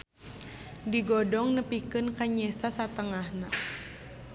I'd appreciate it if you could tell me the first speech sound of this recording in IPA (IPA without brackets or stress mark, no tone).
d